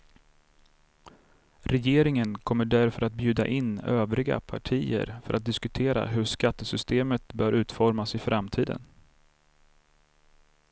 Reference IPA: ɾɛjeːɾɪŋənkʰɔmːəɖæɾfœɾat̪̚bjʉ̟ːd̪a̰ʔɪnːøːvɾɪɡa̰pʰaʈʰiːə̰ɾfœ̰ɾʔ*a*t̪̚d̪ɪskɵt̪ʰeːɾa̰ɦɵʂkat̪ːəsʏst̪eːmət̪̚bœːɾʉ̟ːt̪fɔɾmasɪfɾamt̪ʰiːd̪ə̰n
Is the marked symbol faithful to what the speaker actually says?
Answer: yes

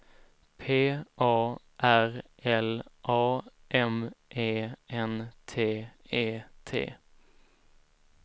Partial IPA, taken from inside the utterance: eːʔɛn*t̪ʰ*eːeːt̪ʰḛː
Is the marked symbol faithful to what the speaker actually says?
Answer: yes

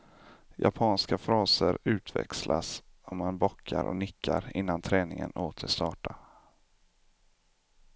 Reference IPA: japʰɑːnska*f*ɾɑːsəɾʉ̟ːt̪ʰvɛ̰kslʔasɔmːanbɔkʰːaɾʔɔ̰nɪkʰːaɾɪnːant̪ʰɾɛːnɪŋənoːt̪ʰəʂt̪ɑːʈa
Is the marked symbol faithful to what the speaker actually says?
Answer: yes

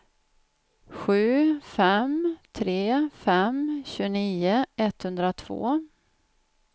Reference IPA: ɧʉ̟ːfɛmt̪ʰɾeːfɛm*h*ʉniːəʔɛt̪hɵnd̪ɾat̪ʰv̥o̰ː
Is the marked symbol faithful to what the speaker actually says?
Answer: no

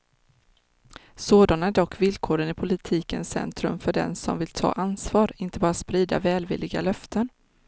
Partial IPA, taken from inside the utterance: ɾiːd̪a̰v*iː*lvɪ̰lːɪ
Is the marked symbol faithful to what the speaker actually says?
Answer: no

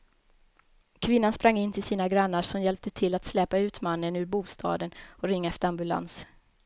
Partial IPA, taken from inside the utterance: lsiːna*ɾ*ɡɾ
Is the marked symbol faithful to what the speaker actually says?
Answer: no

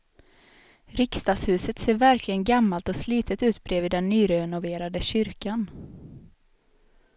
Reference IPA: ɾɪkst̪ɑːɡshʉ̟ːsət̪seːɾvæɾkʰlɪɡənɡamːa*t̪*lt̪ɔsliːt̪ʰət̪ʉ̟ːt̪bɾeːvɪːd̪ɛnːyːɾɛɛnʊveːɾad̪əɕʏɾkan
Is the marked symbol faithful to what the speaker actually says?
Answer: no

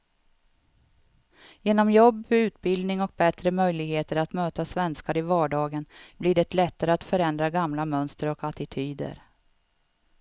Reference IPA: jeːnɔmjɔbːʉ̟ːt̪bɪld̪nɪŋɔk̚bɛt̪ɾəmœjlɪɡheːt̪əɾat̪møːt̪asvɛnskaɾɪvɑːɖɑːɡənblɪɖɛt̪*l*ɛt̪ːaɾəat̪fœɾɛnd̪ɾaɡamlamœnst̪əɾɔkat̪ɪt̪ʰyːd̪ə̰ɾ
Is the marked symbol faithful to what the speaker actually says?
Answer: yes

